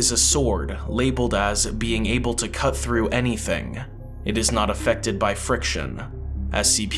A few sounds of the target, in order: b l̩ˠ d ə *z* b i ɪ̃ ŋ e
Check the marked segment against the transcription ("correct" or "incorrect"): correct